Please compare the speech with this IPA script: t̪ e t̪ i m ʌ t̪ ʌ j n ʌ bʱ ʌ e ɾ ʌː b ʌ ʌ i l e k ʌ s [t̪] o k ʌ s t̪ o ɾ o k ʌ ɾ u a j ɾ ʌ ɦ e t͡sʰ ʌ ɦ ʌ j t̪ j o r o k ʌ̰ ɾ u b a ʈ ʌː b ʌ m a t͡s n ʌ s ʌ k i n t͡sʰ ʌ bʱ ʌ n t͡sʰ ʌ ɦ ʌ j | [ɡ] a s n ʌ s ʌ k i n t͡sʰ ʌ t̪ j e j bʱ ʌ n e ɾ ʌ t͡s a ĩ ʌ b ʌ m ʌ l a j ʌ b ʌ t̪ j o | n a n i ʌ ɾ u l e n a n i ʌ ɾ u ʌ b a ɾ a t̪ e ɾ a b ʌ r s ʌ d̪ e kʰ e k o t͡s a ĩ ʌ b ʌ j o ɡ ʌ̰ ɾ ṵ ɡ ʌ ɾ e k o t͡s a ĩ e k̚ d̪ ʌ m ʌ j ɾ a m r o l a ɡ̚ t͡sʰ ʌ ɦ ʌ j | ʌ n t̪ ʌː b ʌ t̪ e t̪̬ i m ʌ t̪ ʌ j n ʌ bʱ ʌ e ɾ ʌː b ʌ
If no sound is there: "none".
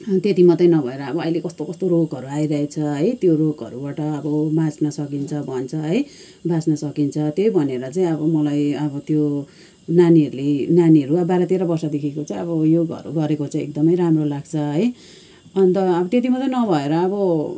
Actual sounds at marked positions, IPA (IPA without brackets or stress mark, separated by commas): t̪, b